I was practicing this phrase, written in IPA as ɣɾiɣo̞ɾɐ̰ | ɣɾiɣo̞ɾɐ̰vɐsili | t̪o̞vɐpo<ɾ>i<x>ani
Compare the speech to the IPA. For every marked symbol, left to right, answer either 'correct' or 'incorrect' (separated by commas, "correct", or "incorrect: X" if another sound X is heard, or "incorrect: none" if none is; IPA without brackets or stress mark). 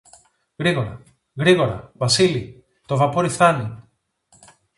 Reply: correct, incorrect: θ